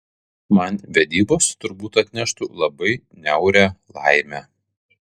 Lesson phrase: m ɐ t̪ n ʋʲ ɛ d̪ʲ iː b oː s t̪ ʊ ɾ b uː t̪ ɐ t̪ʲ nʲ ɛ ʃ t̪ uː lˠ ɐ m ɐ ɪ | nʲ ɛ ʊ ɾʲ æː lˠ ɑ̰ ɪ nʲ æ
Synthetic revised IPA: m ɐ n ʋʲ ɛ d̪ʲ iː b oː s t̪ ʊ ɾ b uː t̪ ɐ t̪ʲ nʲ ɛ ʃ t̪ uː lˠ ɐ b ɐ ɪ | nʲ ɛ ʊ ɾʲ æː lˠ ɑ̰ ɪ mʲ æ